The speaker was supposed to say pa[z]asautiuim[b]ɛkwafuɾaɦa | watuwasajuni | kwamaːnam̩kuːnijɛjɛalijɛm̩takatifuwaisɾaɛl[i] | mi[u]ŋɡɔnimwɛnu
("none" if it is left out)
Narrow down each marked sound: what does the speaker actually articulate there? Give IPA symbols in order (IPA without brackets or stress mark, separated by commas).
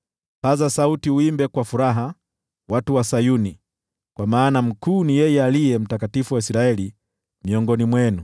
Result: z, b, i, ɔ